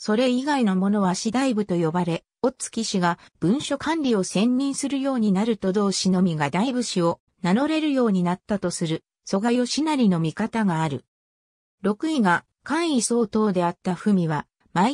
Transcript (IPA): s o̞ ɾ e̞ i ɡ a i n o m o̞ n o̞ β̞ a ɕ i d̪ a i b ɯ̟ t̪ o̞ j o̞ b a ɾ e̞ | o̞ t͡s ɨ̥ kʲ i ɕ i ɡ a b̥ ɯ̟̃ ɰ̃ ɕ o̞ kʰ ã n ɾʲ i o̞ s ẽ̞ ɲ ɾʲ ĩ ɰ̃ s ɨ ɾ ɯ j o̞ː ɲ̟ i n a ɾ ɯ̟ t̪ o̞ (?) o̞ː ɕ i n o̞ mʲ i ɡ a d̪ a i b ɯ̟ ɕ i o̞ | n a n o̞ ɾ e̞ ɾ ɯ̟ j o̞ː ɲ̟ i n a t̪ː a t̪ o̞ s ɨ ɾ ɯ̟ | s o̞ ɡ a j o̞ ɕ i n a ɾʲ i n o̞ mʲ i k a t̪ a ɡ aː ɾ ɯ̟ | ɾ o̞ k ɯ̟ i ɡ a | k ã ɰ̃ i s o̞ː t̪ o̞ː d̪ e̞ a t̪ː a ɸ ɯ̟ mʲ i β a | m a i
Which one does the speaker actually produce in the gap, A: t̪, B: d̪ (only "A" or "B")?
B